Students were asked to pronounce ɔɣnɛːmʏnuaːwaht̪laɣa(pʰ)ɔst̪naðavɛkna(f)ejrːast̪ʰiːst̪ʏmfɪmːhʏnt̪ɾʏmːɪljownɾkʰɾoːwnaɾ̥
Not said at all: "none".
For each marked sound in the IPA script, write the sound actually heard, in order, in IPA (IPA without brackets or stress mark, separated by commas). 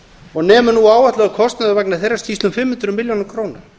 kʰ, θ